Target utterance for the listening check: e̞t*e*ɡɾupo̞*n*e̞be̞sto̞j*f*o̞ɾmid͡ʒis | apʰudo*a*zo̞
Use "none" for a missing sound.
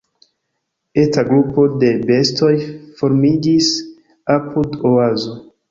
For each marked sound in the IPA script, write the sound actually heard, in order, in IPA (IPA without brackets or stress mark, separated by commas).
a, d, f, a